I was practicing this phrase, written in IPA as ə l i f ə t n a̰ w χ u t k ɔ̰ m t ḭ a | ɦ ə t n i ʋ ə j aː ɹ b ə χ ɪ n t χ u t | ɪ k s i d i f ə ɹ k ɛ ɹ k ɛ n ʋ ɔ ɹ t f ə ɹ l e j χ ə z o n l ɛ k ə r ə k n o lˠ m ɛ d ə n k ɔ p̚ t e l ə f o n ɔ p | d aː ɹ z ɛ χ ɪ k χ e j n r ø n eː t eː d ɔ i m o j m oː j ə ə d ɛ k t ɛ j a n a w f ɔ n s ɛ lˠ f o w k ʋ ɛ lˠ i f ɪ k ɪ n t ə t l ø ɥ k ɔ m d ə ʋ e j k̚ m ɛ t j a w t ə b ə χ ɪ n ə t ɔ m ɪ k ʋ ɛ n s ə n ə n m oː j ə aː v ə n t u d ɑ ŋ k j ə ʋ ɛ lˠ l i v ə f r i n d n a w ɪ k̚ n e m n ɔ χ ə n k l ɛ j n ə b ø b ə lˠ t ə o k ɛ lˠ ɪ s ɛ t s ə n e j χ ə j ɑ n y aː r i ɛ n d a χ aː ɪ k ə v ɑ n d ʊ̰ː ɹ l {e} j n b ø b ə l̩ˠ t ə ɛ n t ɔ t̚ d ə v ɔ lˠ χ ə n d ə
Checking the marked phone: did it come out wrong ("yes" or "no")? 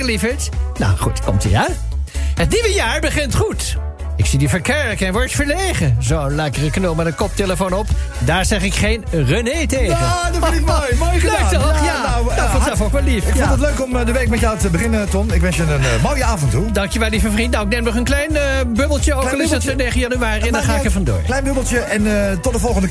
yes